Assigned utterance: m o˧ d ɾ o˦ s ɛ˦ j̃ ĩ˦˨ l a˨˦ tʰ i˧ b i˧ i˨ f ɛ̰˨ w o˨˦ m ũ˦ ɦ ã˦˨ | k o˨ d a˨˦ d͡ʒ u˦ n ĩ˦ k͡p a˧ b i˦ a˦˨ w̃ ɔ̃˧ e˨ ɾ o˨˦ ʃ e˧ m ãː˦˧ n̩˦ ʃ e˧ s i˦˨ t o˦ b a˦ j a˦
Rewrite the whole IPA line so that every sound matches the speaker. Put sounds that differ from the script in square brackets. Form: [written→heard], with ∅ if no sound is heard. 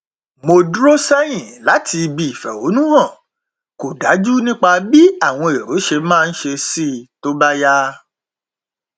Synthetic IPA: m o˧ d ɾ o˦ s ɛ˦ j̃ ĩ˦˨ l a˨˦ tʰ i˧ b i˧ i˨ f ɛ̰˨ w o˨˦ [m→n] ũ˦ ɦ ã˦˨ | k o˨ d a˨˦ d͡ʒ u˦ n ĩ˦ k͡p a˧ b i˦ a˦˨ w̃ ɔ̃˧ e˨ ɾ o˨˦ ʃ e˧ m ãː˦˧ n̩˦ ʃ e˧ s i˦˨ t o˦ b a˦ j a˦